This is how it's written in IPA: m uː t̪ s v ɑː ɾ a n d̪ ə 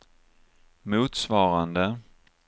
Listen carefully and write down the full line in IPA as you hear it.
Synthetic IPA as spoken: m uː t̪ s v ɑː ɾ a n d̪ ə